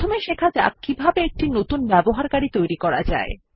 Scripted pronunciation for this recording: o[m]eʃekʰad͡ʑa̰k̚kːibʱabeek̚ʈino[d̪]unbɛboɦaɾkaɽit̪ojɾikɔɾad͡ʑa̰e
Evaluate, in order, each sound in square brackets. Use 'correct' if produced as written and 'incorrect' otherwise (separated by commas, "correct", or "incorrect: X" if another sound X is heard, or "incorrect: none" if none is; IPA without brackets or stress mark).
correct, incorrect: t̪